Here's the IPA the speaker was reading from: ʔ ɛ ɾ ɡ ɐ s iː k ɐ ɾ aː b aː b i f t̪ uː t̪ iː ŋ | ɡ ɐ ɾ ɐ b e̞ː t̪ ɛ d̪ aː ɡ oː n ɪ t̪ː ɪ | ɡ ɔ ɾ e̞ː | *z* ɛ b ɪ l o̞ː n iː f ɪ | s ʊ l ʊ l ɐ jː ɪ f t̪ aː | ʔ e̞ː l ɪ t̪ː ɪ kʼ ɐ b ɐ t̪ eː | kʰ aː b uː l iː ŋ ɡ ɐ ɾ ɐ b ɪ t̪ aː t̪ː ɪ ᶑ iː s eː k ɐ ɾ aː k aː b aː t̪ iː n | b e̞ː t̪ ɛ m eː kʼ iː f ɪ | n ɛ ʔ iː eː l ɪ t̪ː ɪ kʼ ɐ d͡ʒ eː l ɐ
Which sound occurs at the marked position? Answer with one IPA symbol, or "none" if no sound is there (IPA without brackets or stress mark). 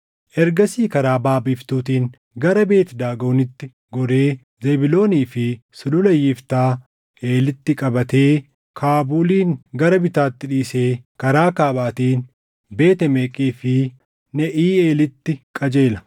z